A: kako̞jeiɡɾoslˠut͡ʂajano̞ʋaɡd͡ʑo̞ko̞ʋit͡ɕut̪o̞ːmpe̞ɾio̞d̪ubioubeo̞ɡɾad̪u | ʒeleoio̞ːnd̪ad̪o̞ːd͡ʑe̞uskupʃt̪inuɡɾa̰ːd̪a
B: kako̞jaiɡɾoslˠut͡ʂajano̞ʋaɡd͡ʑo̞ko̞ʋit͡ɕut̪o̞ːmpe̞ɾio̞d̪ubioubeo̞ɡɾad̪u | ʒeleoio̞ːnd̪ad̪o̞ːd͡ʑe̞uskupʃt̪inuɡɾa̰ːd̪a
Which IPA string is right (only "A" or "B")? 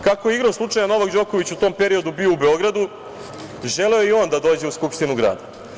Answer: A